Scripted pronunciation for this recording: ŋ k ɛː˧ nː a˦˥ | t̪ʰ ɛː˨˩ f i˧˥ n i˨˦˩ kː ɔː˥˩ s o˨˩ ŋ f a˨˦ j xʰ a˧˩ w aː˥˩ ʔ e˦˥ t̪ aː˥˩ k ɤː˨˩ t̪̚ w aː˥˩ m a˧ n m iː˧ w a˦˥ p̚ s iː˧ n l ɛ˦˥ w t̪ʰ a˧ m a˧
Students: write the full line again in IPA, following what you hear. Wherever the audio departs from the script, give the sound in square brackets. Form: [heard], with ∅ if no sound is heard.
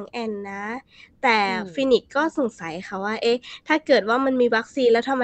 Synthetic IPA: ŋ [ʔ] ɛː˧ nː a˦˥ | [t̪] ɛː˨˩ f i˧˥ n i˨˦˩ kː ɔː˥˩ s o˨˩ ŋ [s] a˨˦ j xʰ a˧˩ w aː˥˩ ʔ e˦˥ [t̪ʰ] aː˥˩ k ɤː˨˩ t̪̚ w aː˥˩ m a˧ n m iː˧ w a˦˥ [k̚] s iː˧ n l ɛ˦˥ w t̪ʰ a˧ m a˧